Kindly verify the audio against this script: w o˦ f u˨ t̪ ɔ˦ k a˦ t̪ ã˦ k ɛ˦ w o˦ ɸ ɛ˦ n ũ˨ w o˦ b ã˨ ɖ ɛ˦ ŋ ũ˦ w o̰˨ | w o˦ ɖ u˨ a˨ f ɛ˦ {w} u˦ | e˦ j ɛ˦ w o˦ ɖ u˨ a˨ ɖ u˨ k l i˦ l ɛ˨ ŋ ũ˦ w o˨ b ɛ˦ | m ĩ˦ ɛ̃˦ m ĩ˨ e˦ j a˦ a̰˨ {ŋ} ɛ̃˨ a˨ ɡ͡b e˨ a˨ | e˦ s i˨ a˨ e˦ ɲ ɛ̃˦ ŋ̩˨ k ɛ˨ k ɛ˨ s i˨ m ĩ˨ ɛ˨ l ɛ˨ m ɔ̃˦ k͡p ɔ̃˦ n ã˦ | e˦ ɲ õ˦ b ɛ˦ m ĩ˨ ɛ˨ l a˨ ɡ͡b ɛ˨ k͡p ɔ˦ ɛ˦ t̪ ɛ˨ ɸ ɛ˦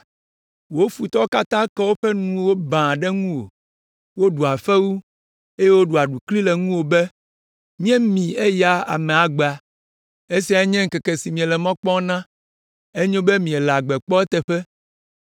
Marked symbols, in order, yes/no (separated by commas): yes, no